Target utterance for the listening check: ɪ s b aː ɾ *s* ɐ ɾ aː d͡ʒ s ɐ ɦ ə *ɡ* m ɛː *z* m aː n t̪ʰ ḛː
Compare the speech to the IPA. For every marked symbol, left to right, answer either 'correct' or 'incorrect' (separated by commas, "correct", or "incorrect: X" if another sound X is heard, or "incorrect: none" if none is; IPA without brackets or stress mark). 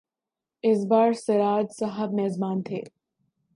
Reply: correct, incorrect: b, correct